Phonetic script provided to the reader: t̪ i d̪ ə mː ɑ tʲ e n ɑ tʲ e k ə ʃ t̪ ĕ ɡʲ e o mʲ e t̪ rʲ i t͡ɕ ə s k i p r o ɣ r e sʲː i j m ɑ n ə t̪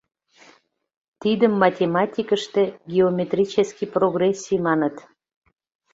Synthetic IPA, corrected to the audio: t̪ i d̪ ə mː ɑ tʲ e m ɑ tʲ i k ə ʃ t̪ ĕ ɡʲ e o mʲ e t̪ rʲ i t͡ɕ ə s k i p r o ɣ r e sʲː i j m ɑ n ə t̪